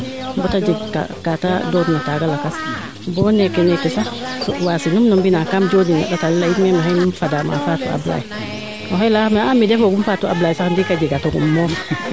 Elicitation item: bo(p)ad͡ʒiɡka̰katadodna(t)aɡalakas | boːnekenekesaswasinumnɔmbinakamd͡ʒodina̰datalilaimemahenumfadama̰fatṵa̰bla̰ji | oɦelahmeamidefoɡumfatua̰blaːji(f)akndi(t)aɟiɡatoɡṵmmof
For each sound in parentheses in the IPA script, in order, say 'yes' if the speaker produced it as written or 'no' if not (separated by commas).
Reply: no, yes, no, no